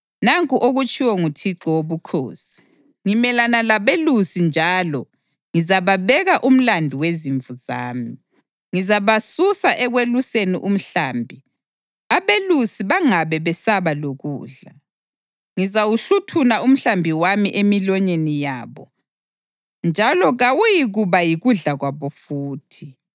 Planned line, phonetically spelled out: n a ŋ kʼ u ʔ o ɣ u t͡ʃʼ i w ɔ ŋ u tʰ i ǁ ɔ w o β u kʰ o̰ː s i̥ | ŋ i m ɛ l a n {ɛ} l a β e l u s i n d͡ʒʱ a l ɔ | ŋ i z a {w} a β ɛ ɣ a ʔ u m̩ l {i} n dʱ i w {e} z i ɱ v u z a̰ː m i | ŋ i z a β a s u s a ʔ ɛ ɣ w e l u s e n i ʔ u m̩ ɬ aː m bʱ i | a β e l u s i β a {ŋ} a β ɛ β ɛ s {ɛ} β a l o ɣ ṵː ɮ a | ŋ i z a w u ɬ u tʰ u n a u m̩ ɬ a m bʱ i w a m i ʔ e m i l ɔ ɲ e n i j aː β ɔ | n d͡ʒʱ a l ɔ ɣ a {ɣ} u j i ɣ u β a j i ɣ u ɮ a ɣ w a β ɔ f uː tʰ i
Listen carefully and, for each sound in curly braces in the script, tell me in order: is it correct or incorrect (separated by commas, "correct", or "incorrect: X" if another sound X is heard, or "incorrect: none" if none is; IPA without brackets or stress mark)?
incorrect: a, incorrect: β, incorrect: a, correct, correct, incorrect: a, incorrect: w